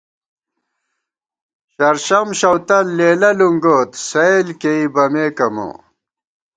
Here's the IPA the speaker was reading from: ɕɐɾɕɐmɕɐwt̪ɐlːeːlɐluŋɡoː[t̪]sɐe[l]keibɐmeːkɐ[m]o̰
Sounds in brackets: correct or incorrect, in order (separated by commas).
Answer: correct, correct, correct